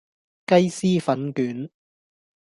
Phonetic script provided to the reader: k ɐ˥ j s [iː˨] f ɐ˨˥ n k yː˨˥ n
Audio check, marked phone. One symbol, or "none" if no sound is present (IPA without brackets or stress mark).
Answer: iː˥